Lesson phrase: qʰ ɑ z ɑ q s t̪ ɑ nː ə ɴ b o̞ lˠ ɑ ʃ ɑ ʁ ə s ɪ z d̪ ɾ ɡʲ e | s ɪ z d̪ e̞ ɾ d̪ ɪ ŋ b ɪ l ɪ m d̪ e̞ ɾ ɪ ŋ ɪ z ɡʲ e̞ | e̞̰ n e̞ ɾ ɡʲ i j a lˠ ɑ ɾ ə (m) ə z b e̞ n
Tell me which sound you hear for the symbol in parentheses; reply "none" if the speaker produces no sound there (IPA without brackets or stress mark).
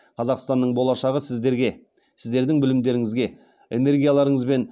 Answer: ɴ